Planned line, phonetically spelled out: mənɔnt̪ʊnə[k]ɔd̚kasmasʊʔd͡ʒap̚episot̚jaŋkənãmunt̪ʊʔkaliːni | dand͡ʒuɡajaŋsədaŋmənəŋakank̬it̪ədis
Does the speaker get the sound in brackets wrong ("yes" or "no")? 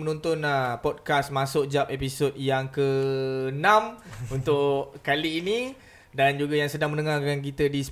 yes